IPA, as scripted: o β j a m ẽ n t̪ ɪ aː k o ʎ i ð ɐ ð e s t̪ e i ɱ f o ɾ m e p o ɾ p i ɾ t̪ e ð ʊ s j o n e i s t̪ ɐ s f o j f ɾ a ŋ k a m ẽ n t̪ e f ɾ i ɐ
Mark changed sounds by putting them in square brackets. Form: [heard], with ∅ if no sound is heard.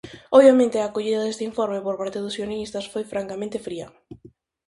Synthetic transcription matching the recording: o β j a m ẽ n t̪ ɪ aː k o ʎ i ð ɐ ð e s t̪ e i ɱ f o ɾ m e p o ɾ p [a] ɾ t̪ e ð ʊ s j o n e i s t̪ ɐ s f o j f ɾ a ŋ k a m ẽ n t̪ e f ɾ i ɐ